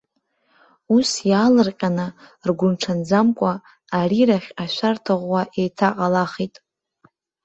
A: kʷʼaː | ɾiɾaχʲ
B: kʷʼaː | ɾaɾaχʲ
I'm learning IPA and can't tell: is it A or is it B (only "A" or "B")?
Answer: A